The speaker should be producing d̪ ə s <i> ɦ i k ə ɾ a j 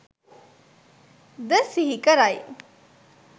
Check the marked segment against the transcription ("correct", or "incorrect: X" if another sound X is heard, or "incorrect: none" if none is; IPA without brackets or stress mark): correct